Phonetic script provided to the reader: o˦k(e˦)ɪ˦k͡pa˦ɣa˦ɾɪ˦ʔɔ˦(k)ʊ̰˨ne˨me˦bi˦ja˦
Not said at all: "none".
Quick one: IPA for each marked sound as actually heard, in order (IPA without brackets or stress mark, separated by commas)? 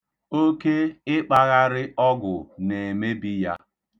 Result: e˦, ɡ